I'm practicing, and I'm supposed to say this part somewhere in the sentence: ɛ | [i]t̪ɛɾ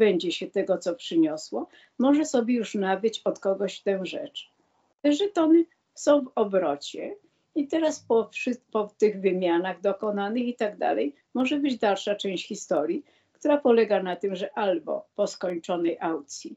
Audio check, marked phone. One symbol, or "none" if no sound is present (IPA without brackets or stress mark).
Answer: i